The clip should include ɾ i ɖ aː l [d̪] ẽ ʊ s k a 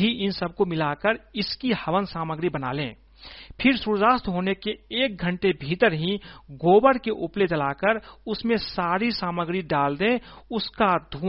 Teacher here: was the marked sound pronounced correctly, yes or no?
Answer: yes